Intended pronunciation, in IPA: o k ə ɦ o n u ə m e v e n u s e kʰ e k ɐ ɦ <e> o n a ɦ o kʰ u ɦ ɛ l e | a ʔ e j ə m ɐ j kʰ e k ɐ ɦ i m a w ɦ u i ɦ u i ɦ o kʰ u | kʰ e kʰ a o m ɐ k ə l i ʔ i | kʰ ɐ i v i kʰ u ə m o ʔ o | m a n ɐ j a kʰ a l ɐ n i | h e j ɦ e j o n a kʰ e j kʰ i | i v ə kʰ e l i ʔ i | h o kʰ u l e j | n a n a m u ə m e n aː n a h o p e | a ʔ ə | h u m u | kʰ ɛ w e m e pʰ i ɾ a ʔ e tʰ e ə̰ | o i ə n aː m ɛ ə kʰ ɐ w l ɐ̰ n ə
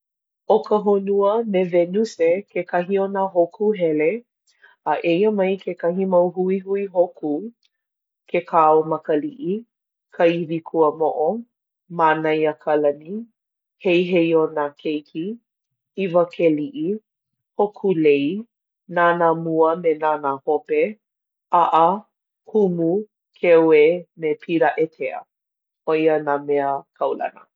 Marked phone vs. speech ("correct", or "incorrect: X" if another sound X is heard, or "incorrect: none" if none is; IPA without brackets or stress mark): incorrect: i